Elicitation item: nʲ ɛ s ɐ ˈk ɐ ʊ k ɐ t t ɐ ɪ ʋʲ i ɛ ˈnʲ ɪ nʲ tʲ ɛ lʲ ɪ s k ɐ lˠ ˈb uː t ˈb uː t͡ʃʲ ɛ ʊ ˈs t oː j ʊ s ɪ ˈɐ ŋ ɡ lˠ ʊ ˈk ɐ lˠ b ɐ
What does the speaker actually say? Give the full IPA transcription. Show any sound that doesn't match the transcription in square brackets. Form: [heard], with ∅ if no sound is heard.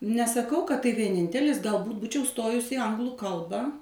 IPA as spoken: nʲ ɛ s ɐ ˈk ɐ ʊ k ɐ t t ɐ ɪ ʋʲ i ɛ ˈnʲ ɪ nʲ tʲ ɛ lʲ ɪ s [ɡ] ɐ lˠ ˈb uː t ˈb uː t͡ʃʲ ɛ ʊ ˈs t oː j ʊ s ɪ ˈɐ ŋ ɡ lˠ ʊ ˈk ɐ lˠ b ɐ

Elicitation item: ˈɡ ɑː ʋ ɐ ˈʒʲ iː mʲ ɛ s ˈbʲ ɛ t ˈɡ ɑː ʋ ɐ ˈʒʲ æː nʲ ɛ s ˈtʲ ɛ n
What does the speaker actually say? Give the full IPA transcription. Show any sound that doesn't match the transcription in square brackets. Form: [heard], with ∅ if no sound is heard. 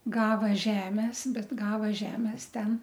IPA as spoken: ˈɡ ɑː ʋ ɐ ˈʒʲ [æː] mʲ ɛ s ˈbʲ ɛ t ˈɡ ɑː ʋ ɐ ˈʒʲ æː [mʲ] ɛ s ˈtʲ ɛ n

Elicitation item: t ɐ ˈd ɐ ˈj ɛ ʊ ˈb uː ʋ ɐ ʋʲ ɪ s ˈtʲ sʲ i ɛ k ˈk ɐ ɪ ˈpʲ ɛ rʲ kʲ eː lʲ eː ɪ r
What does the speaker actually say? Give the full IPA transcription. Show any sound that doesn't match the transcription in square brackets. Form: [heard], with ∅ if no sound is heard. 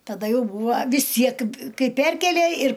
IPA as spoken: t ɐ ˈd ɐ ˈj ɛ ʊ ˈb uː ʋ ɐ ʋʲ ɪ s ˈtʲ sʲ i ɛ k ˈk ɐ ɪ ˈpʲ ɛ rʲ kʲ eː lʲ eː ɪ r

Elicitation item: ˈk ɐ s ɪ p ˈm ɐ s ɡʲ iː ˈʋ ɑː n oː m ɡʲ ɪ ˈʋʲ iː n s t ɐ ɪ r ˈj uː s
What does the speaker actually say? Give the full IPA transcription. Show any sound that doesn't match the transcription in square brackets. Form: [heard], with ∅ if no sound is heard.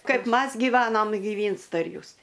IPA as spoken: ˈk ɐ [∅] ɪ p ˈm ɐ s ɡʲ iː ˈʋ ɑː n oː m ɡʲ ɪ ˈʋʲ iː n s t ɐ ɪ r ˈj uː s

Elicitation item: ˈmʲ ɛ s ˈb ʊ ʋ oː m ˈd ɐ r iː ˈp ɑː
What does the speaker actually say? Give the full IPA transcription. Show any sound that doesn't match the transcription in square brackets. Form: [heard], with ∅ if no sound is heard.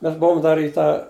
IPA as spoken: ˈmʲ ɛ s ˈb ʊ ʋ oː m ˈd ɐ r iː [ˈt] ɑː

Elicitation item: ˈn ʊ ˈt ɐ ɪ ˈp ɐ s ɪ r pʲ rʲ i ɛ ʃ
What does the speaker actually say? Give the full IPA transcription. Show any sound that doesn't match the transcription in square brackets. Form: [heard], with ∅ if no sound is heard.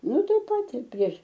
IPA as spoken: ˈn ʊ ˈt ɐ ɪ ˈp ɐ [t] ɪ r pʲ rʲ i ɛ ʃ

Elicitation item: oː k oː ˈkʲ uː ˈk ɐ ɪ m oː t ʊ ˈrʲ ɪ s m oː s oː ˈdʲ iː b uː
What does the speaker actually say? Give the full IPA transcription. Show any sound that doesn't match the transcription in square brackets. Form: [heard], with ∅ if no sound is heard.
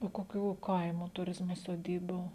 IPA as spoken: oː k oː ˈkʲ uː ˈk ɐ ɪ m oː t ʊ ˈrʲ ɪ [z] m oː s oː ˈdʲ iː b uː

